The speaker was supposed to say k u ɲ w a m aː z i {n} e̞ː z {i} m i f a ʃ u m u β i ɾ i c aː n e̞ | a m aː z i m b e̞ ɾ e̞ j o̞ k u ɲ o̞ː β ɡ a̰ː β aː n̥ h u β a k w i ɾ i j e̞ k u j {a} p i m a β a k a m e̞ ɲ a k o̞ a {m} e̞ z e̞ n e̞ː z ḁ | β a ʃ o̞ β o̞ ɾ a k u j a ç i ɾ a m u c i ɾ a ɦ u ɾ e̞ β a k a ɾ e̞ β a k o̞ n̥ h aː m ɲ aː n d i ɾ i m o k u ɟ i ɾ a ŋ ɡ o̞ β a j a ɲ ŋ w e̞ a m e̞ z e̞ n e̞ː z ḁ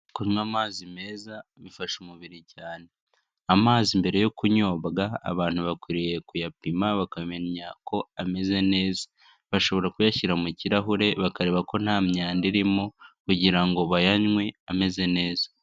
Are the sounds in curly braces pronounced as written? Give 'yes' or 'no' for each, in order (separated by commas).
no, no, yes, yes